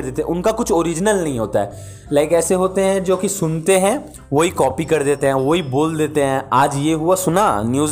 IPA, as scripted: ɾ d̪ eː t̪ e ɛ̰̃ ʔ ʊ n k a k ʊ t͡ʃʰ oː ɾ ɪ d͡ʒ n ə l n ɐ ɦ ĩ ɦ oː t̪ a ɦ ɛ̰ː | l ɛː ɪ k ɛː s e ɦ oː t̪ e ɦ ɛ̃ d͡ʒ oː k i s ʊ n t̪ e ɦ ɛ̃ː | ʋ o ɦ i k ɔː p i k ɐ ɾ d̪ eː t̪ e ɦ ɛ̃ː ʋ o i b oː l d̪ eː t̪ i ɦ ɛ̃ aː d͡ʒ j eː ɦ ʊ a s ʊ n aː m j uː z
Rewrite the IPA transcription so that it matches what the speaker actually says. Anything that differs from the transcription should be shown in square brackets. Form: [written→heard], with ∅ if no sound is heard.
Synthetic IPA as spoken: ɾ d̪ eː t̪ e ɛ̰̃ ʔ ʊ n k a k ʊ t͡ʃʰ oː ɾ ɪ d͡ʒ n ə l n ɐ ɦ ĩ ɦ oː t̪ a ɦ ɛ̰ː | l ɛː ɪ k ɛː s e ɦ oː t̪ e ɦ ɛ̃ d͡ʒ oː k i s ʊ n t̪ e ɦ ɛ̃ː | ʋ o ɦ i k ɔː p i k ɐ ɾ d̪ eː t̪ e ɦ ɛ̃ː ʋ o i b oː l d̪ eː t̪ [i→e] ɦ ɛ̃ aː d͡ʒ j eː ɦ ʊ a s ʊ n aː [m→n] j uː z